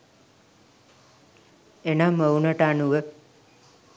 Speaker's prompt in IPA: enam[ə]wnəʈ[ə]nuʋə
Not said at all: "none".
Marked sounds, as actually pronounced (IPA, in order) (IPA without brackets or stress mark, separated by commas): ə, a